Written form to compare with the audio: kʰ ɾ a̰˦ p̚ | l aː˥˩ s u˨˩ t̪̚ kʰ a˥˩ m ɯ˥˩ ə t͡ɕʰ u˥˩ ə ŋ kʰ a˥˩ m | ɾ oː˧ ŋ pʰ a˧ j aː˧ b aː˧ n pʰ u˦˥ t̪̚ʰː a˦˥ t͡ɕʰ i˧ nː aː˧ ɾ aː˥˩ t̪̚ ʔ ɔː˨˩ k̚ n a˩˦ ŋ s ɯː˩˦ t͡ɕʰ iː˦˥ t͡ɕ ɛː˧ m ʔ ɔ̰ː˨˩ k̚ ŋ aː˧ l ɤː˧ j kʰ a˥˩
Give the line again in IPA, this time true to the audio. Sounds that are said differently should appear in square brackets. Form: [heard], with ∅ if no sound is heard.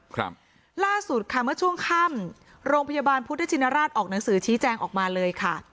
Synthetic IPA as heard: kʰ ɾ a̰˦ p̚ | l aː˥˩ s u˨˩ t̪̚ kʰ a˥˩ m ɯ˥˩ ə t͡ɕʰ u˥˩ ə ŋ kʰ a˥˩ m | ɾ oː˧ ŋ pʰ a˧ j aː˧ b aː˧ n pʰ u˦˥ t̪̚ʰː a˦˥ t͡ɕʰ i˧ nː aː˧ ɾ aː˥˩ t̪̚ ʔ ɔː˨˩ k̚ n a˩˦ ŋ s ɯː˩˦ t͡ɕʰ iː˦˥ t͡ɕ ɛː˧ [ŋ] ʔ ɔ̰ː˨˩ k̚ [m] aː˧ l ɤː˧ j kʰ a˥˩